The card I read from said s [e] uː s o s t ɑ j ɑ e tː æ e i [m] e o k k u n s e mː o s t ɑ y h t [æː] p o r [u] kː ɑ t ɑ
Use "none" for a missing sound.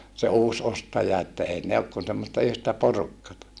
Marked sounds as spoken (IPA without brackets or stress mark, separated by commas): e, n, æ, u